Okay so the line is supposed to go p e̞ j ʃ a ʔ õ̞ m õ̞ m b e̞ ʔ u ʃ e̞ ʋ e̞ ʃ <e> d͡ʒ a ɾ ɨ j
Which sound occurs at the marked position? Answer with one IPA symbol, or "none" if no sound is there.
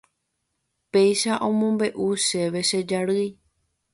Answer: e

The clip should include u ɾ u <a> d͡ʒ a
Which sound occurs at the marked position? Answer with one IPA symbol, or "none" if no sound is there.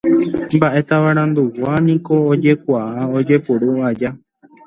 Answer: a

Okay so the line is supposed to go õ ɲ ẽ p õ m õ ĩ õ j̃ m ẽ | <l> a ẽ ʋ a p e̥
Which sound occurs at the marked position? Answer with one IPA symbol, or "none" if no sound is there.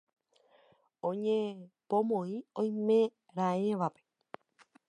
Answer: ɾ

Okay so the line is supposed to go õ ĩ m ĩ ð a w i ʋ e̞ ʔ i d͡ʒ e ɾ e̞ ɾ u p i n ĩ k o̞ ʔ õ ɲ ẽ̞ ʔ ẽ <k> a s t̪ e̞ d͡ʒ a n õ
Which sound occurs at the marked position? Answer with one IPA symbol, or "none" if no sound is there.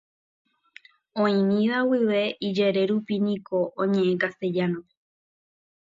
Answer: k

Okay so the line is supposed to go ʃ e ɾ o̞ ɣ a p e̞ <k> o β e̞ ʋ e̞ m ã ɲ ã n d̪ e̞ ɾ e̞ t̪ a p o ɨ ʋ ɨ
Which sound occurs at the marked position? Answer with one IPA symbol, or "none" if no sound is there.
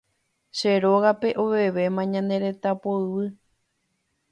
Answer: ʔ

